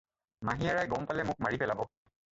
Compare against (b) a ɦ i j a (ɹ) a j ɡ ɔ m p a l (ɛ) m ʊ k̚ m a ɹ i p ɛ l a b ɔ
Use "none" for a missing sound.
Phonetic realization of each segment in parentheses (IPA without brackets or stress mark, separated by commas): m, ɹ, ɛ